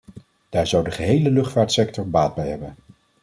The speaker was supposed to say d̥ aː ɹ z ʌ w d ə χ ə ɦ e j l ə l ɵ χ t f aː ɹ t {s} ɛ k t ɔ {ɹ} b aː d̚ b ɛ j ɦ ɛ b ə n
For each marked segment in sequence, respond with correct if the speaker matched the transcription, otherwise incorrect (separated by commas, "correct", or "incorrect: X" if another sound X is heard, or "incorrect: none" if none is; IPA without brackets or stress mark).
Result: correct, correct